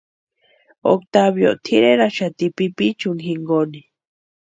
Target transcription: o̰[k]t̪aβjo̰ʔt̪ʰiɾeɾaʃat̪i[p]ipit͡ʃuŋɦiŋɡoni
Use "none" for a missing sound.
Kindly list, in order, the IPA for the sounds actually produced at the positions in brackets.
k, p

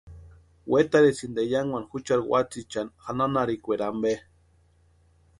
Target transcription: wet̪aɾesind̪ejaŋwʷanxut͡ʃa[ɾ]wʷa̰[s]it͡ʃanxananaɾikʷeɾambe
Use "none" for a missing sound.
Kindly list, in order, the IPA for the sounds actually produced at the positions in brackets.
ɾ, t͡s

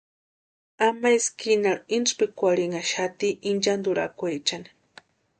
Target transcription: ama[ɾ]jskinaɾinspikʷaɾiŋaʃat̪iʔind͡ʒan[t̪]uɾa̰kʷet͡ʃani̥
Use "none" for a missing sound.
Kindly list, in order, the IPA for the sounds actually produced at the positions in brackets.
none, d̪

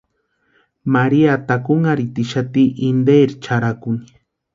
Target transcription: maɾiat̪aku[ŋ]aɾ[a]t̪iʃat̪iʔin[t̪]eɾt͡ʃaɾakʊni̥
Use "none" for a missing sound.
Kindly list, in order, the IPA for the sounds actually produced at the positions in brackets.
ŋ, i, d̪

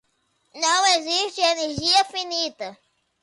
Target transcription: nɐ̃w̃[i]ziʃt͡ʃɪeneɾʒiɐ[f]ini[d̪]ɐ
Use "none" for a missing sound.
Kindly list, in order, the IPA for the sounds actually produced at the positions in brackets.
e, f, t̪

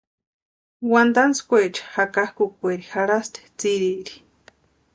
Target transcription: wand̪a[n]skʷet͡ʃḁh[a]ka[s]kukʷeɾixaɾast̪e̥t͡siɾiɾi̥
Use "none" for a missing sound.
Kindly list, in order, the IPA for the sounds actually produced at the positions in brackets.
n, a, h

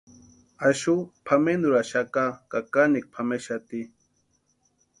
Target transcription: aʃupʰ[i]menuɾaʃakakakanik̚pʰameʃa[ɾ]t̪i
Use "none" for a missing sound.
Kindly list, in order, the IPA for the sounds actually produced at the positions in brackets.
a, none

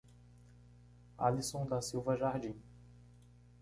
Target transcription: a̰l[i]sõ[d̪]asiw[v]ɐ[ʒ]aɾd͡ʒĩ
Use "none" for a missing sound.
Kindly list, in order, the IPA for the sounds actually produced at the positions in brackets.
i, d̪, v, ʒ

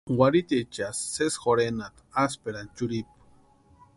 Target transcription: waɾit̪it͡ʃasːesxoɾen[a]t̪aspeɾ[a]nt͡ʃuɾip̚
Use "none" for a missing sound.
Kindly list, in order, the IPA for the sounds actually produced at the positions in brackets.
a, a

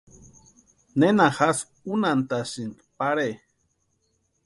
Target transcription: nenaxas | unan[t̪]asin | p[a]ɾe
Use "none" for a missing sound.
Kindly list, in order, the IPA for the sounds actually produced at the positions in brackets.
t̪, a

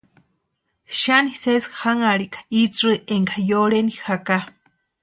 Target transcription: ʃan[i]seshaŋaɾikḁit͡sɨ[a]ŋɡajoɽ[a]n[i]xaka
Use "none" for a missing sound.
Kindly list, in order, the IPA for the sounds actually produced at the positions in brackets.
i, e, e, i

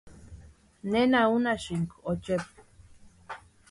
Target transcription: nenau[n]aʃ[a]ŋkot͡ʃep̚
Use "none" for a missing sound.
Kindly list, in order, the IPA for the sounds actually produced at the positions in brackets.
n, i

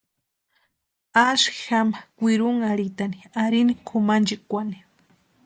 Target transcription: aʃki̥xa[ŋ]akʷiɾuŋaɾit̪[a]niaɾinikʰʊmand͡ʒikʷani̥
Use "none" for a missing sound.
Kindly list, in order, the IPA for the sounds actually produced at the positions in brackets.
m, a

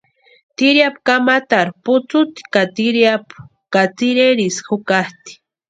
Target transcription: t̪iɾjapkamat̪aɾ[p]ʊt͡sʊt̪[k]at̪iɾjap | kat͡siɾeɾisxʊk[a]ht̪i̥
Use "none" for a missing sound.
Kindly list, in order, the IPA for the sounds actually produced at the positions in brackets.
p, k, a

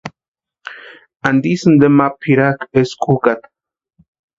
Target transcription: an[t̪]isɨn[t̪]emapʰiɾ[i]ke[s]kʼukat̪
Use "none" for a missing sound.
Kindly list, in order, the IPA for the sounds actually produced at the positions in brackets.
d̪, d̪, a, s

